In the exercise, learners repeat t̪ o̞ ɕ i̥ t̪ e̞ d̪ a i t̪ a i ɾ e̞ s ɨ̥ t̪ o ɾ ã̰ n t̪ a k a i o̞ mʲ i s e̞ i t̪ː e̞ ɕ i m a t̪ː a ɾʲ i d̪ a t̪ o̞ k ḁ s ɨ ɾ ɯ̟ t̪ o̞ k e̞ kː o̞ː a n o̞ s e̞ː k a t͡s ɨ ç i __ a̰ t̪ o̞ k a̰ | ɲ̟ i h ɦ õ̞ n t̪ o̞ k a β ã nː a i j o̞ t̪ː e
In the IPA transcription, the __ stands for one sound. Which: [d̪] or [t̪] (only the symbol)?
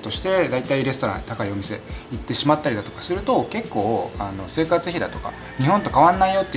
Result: d̪